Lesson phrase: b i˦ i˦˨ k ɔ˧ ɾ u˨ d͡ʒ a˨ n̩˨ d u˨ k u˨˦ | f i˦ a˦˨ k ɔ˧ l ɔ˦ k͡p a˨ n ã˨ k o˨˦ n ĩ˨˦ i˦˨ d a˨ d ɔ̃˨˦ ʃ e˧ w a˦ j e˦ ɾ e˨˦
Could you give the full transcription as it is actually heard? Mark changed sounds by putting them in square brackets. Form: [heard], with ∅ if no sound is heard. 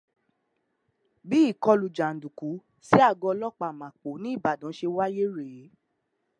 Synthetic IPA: b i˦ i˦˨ k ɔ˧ [l] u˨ d͡ʒ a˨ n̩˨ d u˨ k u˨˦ | [s] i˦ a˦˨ [ɡ] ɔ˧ l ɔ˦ k͡p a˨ [m] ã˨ [k͡p] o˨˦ n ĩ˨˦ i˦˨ [b] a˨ d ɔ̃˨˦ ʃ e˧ w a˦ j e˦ ɾ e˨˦